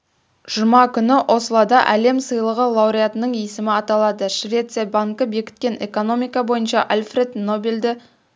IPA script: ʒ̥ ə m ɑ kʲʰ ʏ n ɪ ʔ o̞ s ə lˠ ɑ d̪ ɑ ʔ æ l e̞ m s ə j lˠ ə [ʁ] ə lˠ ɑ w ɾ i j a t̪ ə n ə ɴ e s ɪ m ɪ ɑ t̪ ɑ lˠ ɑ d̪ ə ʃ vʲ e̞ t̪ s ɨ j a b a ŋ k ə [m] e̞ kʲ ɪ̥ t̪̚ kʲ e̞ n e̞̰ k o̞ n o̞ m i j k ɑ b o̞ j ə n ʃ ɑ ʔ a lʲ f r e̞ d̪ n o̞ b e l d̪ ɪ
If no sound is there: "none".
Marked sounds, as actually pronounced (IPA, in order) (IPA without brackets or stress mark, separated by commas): ʁ, b